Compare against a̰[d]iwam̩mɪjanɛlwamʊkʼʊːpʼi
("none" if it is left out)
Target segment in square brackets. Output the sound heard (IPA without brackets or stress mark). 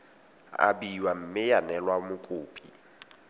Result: b